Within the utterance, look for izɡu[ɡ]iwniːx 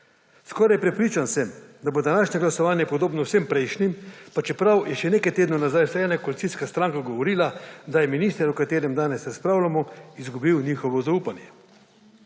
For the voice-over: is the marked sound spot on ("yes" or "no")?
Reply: no